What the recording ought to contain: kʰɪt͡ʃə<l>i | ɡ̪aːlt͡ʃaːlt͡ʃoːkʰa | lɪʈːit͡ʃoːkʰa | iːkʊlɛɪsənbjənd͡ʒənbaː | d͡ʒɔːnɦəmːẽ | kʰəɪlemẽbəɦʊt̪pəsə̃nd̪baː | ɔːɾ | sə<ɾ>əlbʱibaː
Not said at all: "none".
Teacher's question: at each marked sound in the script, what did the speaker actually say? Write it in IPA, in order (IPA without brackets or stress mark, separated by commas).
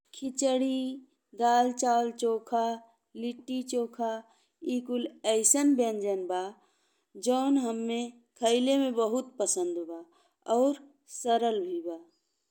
ɽ, ɾ